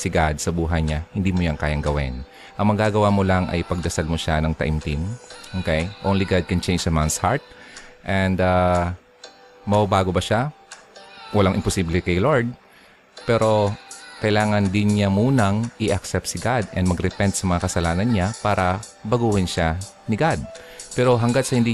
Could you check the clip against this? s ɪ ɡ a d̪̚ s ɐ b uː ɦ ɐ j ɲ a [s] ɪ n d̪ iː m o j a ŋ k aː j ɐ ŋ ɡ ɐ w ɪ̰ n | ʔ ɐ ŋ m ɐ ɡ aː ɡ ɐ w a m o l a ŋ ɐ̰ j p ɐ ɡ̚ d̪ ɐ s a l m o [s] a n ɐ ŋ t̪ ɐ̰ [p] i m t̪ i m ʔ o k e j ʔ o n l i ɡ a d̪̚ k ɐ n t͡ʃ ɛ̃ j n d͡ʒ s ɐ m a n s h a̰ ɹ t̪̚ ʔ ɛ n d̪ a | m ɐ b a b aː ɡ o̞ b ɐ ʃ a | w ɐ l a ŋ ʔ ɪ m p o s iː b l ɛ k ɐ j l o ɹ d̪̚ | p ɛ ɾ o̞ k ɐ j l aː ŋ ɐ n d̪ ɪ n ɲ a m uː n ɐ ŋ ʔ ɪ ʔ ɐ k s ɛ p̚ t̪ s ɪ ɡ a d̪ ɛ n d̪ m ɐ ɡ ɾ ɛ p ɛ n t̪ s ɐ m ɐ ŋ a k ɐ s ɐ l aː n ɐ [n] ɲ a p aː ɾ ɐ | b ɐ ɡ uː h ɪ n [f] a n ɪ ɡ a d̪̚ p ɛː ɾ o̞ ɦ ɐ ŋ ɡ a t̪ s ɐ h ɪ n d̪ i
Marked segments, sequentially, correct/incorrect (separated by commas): incorrect, incorrect, incorrect, correct, incorrect